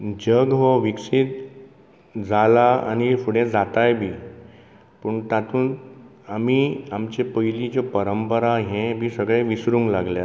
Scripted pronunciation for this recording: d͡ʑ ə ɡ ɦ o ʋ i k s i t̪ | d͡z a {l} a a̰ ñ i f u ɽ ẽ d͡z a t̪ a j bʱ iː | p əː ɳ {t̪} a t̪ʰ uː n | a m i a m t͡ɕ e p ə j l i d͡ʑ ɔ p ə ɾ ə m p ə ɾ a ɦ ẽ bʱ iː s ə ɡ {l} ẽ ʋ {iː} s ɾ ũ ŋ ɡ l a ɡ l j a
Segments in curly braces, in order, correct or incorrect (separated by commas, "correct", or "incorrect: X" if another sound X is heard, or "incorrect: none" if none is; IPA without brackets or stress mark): correct, correct, incorrect: ɭ, incorrect: i